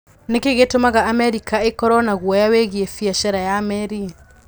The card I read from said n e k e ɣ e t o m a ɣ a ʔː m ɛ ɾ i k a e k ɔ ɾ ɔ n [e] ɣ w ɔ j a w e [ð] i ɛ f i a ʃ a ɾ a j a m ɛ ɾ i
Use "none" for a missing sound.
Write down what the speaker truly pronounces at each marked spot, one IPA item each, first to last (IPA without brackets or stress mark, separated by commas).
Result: a, ɣ